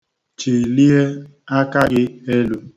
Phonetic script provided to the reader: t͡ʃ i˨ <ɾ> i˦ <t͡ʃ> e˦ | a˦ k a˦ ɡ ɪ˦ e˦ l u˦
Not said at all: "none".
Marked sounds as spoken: l, none

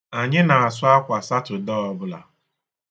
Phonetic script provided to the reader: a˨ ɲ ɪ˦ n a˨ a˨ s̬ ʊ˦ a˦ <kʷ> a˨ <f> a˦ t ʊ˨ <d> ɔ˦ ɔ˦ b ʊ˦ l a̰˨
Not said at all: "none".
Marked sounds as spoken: kʷ, s, d

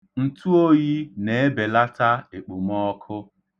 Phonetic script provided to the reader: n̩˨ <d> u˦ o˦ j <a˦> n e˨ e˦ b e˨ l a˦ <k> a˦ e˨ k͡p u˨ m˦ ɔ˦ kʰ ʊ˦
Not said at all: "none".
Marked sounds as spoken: t, i˦, t

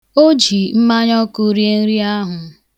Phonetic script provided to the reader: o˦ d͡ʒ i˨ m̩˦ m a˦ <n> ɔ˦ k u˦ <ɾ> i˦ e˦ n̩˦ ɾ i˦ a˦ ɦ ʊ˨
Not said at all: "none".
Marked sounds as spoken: ɲ, ɾ

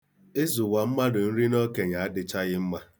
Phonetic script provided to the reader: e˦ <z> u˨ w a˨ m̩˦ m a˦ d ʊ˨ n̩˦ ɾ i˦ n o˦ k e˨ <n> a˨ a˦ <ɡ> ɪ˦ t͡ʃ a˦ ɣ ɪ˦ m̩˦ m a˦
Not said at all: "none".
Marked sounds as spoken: z, ɲ, d

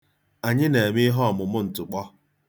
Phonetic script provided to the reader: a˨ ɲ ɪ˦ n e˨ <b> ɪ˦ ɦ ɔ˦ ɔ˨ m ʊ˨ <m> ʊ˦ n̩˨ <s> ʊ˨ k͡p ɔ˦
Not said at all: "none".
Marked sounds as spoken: m, m, t

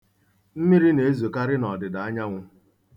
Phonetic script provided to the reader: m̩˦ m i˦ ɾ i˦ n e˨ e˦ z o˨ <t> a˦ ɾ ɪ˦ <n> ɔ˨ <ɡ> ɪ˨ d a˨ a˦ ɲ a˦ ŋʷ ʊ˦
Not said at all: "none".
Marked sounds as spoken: k, n, d

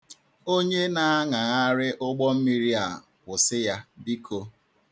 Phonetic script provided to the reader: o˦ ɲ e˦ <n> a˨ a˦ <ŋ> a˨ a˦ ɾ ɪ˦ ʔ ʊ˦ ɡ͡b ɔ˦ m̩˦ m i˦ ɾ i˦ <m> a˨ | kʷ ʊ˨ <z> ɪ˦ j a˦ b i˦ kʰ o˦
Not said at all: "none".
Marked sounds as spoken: n, ŋ, none, s

